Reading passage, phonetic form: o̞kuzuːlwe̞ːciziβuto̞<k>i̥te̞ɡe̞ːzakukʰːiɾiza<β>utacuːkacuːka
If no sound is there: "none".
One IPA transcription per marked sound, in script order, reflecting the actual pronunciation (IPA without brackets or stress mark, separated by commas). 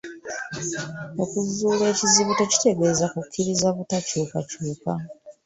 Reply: c, β